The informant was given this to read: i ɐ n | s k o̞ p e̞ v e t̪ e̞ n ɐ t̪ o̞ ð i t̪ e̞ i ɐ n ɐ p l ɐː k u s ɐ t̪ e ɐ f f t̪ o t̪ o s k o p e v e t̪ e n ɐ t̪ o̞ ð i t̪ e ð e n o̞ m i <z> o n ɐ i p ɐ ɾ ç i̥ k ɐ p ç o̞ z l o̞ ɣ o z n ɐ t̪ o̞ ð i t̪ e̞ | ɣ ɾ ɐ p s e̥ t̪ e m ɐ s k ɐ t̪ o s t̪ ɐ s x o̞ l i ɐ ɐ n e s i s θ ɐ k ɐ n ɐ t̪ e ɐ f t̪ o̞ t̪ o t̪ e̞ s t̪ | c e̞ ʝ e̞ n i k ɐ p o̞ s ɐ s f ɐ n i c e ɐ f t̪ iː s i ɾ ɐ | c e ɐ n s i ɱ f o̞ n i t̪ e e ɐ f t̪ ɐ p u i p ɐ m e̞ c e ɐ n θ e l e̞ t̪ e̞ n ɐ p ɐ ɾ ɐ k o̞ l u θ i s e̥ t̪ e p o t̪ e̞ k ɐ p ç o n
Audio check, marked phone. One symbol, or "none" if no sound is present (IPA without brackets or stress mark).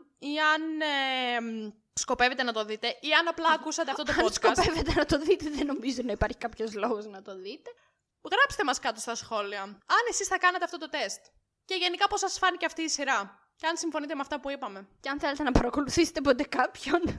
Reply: z